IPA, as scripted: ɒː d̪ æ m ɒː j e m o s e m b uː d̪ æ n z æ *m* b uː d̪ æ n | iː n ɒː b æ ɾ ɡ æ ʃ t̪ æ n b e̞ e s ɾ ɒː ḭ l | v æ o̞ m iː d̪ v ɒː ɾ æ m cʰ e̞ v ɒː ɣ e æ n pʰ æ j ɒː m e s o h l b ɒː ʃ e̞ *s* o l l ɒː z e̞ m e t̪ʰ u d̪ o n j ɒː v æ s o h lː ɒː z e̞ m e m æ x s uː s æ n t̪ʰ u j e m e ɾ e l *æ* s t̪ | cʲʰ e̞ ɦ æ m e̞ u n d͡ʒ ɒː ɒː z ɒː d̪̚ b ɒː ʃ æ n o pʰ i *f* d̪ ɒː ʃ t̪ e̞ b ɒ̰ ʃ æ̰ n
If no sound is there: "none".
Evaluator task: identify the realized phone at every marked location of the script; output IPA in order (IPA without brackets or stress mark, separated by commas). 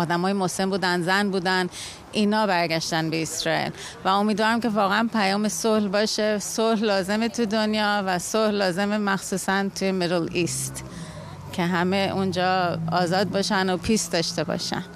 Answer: n, s, i, s